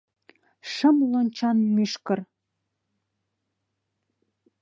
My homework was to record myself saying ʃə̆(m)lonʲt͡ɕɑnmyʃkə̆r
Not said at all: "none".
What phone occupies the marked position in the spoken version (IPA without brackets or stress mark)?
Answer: m